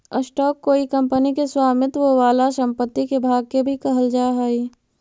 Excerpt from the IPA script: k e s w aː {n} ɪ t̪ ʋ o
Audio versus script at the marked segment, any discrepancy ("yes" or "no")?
yes